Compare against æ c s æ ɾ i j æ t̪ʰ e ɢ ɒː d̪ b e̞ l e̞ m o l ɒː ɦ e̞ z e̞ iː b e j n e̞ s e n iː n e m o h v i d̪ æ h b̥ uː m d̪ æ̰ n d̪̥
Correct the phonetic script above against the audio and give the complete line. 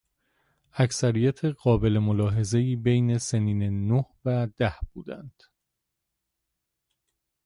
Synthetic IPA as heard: æ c s æ ɾ i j æ t̪ʰ e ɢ ɒː b e̞ l e̞ m o l ɒː ɦ e̞ z e̞ iː b e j n e̞ s e n iː n e n o h v æ d̪ æ h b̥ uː d̪ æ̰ n d̪̥